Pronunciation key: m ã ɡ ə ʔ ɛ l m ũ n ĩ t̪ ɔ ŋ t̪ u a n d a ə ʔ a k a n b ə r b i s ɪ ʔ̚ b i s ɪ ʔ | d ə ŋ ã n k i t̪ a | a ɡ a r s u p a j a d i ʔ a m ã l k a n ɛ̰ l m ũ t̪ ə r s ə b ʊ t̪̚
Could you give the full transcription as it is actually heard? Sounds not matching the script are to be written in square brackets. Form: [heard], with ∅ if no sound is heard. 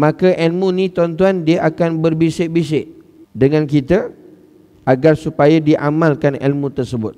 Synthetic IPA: m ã [k] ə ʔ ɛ l m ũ n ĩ t̪ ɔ [n] t̪ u a n d [i] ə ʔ a k a n b ə r b i s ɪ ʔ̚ b i s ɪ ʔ | d ə ŋ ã n k i t̪ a | a ɡ a r s u p a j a d i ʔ a m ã l k a n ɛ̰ l m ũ t̪ ə r s ə b ʊ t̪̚